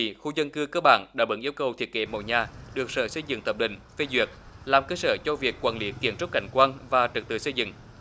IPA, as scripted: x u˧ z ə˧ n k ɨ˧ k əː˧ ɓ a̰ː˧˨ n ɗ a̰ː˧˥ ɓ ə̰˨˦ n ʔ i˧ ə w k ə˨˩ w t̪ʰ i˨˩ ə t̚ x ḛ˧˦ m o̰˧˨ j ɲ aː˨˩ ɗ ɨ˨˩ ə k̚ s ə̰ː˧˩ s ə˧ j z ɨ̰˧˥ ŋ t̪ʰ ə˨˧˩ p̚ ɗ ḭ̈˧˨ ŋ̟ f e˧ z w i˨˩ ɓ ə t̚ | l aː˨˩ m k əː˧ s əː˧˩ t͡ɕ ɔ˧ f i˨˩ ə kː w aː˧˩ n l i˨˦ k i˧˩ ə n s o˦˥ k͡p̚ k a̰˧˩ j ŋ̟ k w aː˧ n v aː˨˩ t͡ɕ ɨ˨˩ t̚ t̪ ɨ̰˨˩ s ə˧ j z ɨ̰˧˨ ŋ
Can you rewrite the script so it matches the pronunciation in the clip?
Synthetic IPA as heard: x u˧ z ə˧ n k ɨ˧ k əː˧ ɓ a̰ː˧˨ n ɗ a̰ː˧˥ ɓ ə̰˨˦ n ʔ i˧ ə w k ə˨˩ w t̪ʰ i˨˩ ə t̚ k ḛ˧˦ m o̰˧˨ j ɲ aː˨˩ ɗ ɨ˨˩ ə k̚ s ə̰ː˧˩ s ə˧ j z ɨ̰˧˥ ŋ t̪ʰ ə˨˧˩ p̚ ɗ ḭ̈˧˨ ŋ̟ f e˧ z w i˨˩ ə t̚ | l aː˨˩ m k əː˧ s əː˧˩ t͡ɕ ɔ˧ v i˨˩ ə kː w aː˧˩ n l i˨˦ k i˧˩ ə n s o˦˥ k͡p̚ k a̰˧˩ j ŋ̟ k w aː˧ n v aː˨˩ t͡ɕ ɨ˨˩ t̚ t̪ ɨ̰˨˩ s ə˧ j z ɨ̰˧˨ ŋ